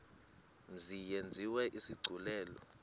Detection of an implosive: absent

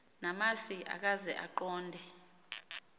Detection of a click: present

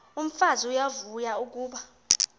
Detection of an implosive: present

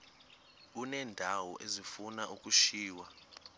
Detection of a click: absent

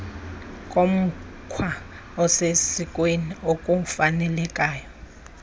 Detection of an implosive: absent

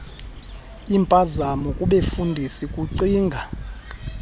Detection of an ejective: present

